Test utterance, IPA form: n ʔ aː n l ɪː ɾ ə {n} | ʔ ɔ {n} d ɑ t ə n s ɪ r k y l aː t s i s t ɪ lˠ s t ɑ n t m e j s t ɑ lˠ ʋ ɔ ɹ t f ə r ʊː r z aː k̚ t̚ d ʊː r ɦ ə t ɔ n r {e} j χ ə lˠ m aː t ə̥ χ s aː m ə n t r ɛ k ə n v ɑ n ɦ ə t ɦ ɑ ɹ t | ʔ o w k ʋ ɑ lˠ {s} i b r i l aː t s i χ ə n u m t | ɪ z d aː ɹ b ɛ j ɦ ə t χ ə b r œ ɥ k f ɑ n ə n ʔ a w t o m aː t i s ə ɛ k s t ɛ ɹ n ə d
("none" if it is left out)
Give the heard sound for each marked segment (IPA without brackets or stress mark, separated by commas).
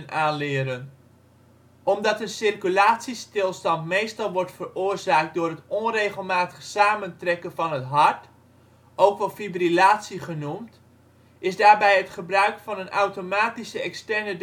n, m, e, f